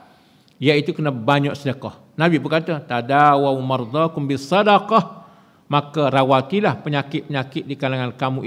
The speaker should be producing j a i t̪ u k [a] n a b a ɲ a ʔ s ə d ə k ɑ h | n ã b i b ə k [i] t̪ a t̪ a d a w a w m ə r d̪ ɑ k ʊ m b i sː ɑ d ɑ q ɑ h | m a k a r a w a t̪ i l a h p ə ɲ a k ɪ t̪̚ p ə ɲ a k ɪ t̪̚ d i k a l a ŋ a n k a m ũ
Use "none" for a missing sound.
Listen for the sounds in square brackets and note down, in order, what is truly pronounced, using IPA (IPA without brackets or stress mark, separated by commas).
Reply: ə, a